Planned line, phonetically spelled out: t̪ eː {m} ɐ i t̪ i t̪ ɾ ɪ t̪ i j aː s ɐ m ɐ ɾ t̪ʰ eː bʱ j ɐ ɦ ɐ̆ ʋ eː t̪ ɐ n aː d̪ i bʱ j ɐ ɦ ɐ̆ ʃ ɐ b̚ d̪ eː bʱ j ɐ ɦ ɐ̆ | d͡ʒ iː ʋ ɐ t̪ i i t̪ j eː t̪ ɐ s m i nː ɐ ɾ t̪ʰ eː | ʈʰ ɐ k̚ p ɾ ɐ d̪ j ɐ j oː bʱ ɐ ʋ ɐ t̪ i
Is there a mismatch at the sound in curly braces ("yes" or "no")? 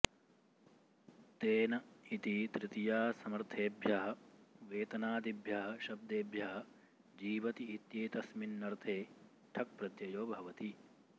yes